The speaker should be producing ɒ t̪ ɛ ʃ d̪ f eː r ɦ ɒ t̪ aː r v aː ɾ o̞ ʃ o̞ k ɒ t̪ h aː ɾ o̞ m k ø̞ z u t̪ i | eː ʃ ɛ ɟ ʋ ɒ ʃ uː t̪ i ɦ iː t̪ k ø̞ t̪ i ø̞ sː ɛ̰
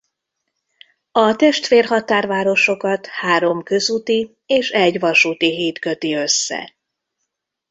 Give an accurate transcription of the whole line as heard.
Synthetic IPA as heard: ɒ t̪ ɛ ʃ t̪ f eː r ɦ ɒ t̪ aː r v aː ɾ o̞ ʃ o̞ k ɒ t̪ h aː ɾ o̞ m k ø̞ z u t̪ i | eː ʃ ɛ ɟ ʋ ɒ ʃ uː t̪ i ɦ iː t̪ k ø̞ t̪ i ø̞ sː ɛ̰